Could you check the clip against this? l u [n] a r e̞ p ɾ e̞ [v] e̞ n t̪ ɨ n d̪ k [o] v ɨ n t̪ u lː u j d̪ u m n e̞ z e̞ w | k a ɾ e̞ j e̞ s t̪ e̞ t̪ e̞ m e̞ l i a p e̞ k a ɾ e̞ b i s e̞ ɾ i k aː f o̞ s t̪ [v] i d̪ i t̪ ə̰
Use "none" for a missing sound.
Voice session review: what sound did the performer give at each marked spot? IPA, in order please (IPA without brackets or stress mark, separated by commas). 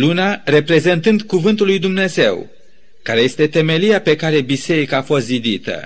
n, z, u, z